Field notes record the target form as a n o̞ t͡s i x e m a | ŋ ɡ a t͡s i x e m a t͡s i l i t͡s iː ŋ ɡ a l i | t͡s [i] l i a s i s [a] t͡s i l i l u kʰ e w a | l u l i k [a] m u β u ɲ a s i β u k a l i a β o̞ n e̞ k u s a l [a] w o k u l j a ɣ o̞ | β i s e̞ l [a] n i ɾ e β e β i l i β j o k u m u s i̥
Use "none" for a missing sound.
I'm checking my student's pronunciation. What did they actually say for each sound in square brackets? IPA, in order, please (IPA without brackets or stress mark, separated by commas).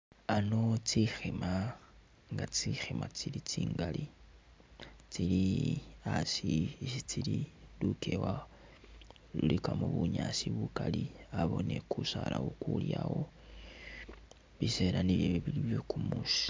i, i, a, a, a